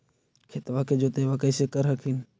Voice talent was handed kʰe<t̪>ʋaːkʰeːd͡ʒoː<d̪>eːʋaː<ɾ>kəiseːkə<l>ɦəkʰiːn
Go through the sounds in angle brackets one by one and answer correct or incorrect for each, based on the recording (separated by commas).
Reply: correct, incorrect, incorrect, incorrect